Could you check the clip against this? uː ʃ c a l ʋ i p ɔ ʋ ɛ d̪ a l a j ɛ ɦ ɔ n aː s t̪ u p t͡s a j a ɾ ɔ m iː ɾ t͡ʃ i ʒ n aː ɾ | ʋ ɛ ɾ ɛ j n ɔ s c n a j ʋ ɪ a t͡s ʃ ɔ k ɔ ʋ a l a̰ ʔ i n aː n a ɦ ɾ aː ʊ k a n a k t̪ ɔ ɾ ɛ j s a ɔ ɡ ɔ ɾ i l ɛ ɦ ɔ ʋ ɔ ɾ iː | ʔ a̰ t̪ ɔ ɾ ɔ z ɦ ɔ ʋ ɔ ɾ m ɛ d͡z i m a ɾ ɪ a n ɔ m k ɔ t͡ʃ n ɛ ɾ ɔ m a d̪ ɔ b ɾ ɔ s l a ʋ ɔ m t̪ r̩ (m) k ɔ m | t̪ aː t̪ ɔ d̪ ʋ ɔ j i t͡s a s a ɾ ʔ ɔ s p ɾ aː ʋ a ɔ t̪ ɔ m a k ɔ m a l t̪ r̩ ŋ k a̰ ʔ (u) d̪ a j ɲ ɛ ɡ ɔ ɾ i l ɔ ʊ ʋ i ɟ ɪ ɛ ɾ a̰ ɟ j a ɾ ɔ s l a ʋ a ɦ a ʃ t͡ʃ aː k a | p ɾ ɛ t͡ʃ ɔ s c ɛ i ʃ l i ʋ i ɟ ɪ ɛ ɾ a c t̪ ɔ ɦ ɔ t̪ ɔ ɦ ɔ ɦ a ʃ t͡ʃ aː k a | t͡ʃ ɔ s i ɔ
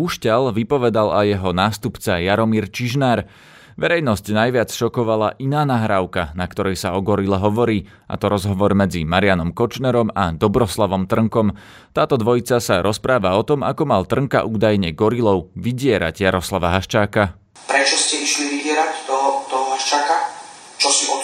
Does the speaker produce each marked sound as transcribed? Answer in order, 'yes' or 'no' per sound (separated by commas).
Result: no, no